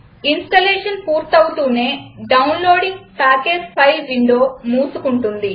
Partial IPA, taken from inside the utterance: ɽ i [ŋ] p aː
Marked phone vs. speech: correct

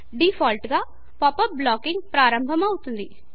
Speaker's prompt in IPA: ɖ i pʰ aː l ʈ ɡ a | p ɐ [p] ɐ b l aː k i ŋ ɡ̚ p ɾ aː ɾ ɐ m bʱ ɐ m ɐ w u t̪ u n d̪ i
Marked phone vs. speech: correct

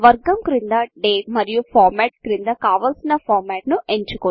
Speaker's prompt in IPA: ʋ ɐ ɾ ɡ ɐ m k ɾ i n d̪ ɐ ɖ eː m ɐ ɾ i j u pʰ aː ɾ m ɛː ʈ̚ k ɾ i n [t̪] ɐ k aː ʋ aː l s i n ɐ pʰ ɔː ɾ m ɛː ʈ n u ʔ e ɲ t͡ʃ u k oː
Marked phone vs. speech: incorrect: d̪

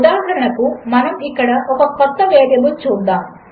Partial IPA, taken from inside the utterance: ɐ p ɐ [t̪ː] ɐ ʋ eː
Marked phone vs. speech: correct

